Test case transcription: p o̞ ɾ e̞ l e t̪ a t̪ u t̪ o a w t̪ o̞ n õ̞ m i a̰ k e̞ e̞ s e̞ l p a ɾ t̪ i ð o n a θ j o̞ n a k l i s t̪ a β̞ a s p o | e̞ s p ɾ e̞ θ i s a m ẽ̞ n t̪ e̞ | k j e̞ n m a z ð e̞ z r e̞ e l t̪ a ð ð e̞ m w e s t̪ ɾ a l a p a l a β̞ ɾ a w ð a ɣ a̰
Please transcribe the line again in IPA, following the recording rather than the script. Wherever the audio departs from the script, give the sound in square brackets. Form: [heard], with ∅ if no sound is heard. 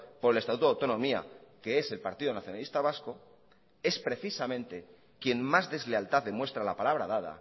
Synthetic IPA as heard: p o̞ ɾ e̞ l e t̪ a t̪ u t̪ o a w t̪ o̞ n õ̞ m i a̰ k e̞ e̞ s e̞ l p a ɾ t̪ i ð o n a θ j o̞ n a [∅] l i s t̪ a β̞ a s [k] o | e̞ s p ɾ e̞ θ i s a m ẽ̞ n t̪ e̞ | k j e̞ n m a z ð e̞ z [l] e̞ [a] l t̪ a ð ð e̞ m w e s t̪ ɾ a l a p a l a β̞ ɾ a [∅] ð a [ð] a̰